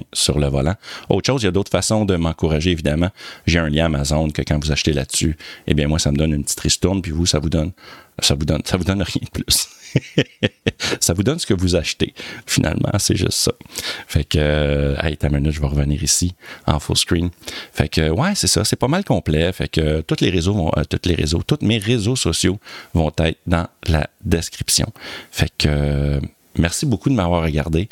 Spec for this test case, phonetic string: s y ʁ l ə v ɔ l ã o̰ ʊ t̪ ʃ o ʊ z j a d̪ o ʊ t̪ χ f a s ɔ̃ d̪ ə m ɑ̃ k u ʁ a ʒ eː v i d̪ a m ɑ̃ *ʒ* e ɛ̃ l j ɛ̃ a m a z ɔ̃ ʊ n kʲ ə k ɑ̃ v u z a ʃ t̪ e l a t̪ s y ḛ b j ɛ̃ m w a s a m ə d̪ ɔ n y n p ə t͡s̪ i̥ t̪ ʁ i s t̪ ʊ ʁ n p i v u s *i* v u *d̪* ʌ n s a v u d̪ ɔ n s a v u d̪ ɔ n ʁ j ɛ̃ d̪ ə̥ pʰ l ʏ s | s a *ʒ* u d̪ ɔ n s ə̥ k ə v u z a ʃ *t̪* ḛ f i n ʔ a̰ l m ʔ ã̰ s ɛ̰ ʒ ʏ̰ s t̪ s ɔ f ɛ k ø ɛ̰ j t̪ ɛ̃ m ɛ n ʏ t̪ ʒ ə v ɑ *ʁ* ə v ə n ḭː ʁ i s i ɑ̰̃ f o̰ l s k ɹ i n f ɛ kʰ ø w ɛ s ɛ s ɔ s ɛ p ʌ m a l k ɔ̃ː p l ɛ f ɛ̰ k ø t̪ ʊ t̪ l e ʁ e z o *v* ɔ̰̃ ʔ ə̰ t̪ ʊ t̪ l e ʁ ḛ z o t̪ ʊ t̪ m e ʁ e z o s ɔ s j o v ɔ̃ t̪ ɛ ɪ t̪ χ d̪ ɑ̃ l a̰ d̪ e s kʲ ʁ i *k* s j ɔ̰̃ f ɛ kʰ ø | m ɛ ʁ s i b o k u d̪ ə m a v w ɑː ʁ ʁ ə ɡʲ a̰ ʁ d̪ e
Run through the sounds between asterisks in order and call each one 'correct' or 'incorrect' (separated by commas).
correct, incorrect, correct, incorrect, correct, correct, correct, incorrect